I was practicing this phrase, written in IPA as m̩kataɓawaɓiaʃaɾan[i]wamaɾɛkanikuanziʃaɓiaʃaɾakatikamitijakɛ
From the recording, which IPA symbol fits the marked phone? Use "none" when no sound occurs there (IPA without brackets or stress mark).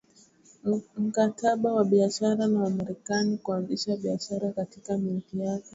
a